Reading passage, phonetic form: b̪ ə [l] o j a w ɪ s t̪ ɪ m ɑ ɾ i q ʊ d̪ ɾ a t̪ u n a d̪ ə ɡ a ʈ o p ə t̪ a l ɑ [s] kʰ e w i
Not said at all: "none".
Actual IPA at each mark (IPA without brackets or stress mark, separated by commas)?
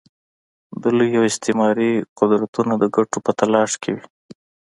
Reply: l, ʃ